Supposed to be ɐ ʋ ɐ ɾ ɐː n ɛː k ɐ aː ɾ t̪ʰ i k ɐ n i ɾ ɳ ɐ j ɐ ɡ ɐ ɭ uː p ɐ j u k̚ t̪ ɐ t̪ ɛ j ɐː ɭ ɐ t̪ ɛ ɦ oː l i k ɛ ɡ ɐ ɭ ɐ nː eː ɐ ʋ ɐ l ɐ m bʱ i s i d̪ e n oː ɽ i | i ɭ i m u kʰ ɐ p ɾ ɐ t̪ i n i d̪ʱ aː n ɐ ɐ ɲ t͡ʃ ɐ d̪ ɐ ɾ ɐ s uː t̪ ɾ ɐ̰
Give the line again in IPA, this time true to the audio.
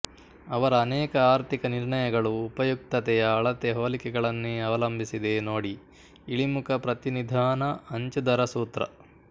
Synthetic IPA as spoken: ɐ ʋ ɐ ɾ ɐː n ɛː k ɐ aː ɾ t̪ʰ i k ɐ n i ɾ ɳ ɐ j ɐ ɡ ɐ ɭ uː p ɐ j u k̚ t̪ ɐ t̪ ɛ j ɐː ɭ ɐ t̪ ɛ ɦ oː l i k ɛ ɡ ɐ ɭ ɐ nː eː ɐ ʋ ɐ l ɐ m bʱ i s i d̪ e n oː ɽ i | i ɭ i m u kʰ ɐ p ɾ ɐ t̪ i n i d̪ʱ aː n ɐ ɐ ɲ t͡ʃ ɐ d̪ ɐ ɾ ɐ s uː t̪ ɾ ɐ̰